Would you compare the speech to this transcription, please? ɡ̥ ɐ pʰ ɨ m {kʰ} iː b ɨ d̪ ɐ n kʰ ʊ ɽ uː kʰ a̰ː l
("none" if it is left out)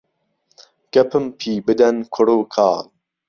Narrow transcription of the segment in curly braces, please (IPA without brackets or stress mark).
pʰ